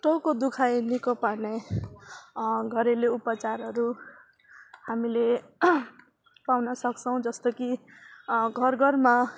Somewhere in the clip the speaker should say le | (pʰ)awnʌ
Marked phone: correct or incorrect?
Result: incorrect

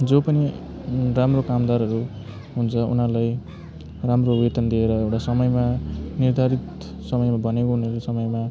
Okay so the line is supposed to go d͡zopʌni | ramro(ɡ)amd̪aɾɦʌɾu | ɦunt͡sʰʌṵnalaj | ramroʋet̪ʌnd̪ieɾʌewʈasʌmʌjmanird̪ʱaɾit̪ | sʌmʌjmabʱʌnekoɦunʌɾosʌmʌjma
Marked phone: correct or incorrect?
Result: incorrect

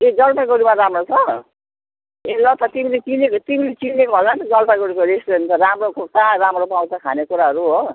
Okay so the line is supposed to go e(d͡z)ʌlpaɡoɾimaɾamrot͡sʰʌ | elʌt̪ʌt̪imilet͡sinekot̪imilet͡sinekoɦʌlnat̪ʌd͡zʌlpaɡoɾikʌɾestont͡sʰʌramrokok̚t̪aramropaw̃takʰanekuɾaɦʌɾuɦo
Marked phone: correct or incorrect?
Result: correct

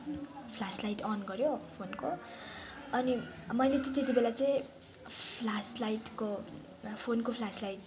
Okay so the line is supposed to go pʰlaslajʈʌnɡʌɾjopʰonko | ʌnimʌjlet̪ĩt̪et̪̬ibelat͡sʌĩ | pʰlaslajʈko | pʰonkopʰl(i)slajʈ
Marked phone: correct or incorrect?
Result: incorrect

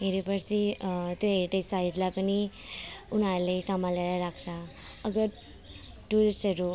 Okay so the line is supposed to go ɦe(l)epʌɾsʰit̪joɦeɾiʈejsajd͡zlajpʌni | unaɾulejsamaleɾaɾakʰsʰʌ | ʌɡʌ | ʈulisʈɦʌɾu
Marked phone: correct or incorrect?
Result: incorrect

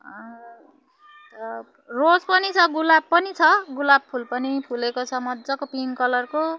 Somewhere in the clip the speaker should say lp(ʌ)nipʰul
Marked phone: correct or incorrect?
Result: correct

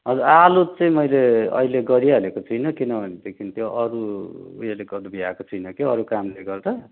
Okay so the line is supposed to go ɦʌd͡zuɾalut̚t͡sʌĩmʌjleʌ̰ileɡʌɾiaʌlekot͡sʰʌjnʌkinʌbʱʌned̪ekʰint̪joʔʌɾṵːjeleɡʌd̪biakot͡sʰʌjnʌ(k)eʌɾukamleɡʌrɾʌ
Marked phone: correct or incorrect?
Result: correct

